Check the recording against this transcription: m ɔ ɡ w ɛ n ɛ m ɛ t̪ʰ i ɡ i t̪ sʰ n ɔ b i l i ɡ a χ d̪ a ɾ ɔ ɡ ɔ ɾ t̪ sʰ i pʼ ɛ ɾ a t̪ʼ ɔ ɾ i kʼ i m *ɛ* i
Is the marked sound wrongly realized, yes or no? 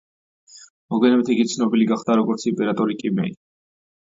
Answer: no